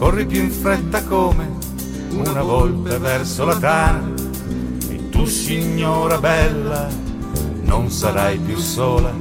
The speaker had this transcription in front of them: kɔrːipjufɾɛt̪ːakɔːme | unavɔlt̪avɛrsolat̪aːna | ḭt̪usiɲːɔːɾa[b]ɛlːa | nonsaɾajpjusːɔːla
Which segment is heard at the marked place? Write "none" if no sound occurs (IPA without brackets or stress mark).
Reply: b